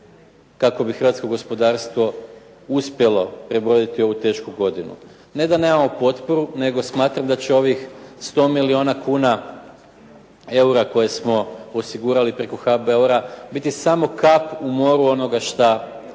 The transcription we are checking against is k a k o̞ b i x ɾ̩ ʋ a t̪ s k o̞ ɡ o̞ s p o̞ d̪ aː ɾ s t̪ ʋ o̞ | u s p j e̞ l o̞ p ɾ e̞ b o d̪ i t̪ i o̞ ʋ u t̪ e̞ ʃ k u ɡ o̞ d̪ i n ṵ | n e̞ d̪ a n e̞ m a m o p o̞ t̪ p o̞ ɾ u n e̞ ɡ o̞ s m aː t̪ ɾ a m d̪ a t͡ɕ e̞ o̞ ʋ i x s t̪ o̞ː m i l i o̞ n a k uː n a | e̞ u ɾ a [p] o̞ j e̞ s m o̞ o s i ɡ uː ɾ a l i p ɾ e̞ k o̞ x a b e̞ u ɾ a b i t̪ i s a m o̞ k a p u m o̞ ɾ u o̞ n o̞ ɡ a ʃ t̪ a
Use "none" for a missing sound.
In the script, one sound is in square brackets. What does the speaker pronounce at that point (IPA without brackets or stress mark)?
k